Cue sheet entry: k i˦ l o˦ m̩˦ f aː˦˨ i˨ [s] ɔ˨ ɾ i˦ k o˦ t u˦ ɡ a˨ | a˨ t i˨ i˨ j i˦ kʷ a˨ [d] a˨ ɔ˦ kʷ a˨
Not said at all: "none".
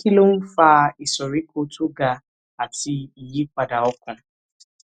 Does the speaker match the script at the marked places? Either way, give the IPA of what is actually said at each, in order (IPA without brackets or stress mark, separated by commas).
s, d